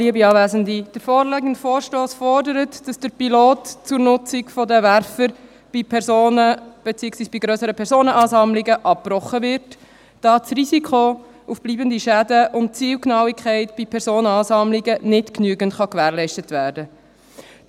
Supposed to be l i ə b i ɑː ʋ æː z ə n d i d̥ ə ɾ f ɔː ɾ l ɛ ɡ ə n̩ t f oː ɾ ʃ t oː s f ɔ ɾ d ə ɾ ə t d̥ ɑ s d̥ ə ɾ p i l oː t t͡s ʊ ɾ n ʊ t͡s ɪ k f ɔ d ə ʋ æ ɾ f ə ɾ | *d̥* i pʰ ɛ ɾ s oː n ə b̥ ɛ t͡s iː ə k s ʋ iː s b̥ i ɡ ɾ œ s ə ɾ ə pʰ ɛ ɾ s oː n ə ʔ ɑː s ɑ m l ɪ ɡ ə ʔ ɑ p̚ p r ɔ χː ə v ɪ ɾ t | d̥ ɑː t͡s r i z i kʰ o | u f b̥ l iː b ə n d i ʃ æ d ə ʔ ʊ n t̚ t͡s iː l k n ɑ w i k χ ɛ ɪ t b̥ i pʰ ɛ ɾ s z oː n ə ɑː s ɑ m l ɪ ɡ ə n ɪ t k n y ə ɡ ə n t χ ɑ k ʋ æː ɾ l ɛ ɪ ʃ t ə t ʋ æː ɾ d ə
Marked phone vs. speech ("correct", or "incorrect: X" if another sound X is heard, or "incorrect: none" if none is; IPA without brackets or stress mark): incorrect: b̥